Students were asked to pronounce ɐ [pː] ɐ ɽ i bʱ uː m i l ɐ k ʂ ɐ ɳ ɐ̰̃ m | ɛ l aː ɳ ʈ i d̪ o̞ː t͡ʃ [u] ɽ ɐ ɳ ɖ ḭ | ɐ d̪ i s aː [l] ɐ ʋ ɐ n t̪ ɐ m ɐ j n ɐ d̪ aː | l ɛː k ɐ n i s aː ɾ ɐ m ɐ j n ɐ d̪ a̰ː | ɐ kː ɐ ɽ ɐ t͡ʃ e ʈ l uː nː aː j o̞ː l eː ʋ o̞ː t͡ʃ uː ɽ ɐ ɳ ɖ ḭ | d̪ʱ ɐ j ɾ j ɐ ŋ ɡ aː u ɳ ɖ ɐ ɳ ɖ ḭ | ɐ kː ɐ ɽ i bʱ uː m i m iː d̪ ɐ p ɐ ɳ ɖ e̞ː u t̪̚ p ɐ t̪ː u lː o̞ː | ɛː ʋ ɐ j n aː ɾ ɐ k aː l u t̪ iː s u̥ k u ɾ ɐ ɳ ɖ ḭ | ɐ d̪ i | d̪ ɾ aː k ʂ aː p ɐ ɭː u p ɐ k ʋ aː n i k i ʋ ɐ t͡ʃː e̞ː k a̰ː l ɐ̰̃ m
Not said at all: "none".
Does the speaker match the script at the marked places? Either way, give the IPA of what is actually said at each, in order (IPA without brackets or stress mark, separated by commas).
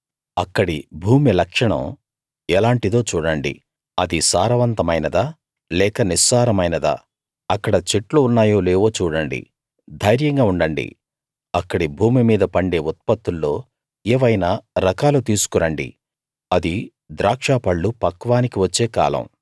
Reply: kː, uː, ɾ